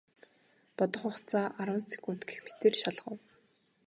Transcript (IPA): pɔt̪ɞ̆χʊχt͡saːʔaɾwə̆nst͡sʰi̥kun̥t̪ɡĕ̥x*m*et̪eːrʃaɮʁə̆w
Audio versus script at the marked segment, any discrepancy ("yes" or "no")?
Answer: no